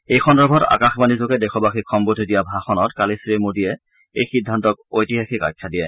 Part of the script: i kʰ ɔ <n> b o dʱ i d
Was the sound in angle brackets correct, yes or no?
no